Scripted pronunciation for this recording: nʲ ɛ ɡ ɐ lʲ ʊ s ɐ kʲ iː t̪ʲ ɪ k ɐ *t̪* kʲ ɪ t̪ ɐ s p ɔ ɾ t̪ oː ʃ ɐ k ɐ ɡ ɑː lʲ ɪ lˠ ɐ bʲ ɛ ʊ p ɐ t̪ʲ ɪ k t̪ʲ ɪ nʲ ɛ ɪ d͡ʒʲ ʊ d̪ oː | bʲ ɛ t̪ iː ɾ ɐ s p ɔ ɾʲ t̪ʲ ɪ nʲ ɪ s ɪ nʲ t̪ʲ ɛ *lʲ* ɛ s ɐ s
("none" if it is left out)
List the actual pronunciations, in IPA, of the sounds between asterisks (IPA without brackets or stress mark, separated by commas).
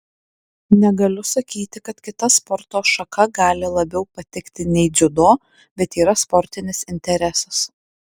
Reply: t̪, ɾʲ